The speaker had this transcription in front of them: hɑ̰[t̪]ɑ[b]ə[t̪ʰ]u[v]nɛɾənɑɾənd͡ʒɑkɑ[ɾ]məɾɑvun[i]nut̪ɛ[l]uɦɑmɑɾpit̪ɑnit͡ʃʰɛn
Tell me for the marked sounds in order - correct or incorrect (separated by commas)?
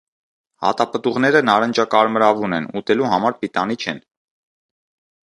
correct, incorrect, incorrect, incorrect, correct, incorrect, correct